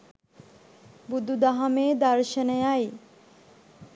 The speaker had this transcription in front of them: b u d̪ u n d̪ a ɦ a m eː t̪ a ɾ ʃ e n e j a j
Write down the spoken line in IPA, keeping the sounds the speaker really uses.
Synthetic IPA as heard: b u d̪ u d̪ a ɦ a m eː d̪ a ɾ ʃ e n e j a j